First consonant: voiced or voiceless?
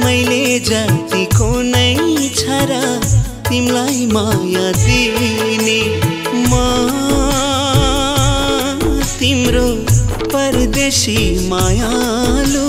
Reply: voiced